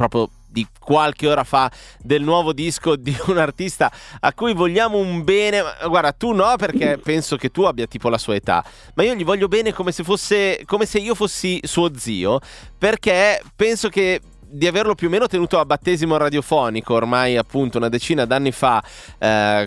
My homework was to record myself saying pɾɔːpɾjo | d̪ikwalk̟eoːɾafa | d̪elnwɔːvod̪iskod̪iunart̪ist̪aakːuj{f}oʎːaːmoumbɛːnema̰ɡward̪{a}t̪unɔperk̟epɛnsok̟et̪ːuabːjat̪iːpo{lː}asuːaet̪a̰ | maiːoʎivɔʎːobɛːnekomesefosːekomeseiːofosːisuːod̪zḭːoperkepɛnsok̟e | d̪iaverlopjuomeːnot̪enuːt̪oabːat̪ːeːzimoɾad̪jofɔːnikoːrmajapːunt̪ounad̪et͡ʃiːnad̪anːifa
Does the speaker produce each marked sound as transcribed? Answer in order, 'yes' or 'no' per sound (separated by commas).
no, yes, no